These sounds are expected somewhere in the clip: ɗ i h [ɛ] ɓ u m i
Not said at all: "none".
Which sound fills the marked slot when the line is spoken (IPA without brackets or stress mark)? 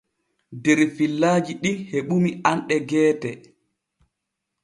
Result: e